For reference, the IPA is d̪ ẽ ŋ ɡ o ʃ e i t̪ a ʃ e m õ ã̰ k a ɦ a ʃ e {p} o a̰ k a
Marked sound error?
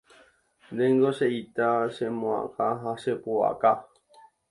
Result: no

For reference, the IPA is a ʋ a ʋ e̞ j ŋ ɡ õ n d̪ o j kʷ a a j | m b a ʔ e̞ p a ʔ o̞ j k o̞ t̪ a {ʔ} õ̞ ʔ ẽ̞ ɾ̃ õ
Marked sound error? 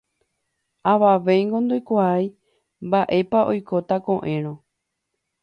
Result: yes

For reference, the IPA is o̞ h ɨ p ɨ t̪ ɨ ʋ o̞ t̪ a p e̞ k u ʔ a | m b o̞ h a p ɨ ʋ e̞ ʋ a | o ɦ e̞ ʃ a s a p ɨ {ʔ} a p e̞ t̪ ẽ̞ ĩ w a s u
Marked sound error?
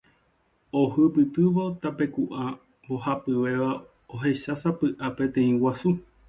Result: no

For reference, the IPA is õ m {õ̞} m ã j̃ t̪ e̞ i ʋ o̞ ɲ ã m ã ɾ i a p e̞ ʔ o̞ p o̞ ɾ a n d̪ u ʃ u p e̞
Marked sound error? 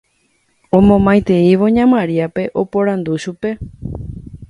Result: no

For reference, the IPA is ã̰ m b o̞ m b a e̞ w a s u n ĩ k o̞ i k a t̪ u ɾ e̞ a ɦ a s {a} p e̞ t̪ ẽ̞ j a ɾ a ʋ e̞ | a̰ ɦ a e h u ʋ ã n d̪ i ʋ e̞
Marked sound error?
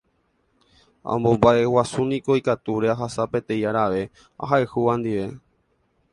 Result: no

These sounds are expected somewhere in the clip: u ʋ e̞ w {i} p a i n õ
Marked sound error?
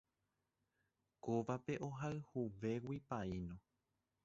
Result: no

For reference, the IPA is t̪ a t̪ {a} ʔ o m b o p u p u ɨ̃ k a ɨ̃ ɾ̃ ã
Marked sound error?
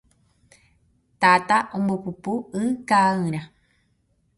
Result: no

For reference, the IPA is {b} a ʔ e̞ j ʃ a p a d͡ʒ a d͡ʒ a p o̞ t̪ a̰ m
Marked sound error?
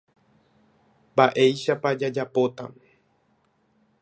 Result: no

